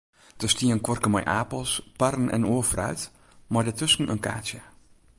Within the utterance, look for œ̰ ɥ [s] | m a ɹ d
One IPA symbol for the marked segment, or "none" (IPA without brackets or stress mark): t